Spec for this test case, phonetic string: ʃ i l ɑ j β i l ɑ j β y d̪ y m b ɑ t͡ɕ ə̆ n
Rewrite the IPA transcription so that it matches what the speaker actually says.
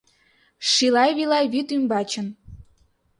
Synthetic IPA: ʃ i l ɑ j β i l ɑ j β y t̪ y m b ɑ t͡ɕ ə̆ n